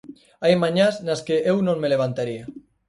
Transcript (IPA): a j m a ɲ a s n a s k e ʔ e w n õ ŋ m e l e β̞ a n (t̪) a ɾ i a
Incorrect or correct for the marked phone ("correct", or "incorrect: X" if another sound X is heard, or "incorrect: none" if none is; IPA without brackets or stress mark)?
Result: correct